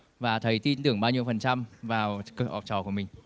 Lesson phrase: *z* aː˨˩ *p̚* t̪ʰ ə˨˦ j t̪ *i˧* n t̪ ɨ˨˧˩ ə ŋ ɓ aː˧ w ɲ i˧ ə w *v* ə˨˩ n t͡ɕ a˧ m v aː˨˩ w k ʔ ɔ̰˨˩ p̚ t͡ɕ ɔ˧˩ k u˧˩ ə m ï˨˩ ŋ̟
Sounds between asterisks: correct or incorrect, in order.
incorrect: v, incorrect: none, correct, incorrect: f

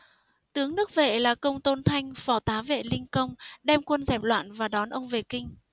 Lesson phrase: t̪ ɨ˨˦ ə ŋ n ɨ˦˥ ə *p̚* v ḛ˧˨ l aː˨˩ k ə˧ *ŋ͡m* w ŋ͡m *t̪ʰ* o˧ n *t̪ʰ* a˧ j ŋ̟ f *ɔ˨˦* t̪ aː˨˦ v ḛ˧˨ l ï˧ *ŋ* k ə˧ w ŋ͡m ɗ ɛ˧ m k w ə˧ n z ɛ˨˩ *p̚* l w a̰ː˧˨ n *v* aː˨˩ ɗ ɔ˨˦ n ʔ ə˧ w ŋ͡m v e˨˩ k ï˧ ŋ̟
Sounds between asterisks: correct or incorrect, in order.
incorrect: k̚, incorrect: none, incorrect: t̪, correct, incorrect: ɔ˧˩, correct, correct, correct

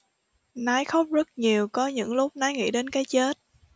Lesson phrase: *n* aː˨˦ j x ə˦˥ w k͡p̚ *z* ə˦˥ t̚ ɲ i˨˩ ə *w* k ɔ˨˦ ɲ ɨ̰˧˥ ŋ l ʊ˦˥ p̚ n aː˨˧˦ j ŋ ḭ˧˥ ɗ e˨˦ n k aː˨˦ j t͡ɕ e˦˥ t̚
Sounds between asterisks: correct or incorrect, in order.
correct, correct, correct

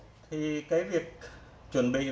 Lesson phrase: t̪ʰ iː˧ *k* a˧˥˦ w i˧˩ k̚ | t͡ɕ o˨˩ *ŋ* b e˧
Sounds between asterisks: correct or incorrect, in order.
correct, incorrect: n

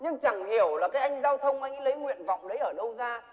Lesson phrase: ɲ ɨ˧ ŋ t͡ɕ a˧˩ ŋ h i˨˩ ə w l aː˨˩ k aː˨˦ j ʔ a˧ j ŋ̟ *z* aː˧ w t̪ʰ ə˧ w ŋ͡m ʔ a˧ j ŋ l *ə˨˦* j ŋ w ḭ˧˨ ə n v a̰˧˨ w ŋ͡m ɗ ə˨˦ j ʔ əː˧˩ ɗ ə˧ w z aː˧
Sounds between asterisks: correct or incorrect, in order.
correct, correct

